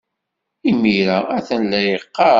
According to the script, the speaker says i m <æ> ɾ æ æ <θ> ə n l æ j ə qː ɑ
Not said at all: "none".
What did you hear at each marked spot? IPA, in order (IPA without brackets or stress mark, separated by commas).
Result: i, θ